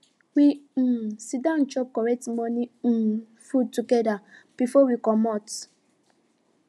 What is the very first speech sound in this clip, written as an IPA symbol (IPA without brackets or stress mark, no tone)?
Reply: w